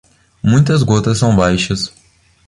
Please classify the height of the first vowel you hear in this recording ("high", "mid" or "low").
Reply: high